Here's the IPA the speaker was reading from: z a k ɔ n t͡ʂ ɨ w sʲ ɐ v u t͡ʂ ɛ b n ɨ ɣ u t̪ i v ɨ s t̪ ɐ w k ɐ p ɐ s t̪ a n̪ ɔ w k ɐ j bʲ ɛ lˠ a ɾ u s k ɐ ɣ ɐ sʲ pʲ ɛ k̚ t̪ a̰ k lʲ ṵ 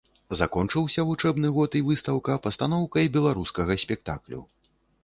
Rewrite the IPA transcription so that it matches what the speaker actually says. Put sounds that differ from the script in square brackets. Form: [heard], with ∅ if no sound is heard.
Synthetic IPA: z a k ɔ n t͡ʂ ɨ w sʲ ɐ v u t͡ʂ ɛ b n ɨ ɣ [ɔ] t̪ i v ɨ s t̪ ɐ w k ɐ p ɐ s t̪ a n̪ ɔ w k ɐ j bʲ ɛ lˠ a ɾ u s k ɐ ɣ ɐ sʲ pʲ ɛ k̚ t̪ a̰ k lʲ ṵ